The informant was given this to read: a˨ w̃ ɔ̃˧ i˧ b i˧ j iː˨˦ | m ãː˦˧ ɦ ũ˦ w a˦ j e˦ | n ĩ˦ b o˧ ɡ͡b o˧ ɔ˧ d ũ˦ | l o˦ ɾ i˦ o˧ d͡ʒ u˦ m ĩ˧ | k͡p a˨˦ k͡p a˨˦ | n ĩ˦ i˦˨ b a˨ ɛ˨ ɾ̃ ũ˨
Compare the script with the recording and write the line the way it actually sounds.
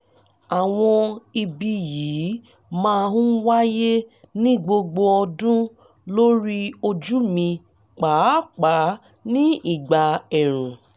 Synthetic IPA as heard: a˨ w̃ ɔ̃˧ i˧ b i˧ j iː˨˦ | m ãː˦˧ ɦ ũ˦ w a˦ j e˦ | n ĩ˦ ɡ͡b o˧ ɡ͡b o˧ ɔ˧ d ũ˦ | l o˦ ɾ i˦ o˧ d͡ʒ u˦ m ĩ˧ | k͡p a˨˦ k͡p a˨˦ | n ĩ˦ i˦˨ ɡ͡b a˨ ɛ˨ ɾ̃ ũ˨